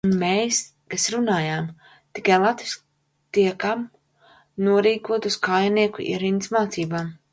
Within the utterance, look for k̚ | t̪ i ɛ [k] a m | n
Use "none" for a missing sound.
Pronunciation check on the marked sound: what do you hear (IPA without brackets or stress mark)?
k